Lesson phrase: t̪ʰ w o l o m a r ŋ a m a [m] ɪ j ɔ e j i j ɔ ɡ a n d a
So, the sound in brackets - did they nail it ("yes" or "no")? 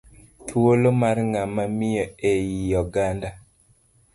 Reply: yes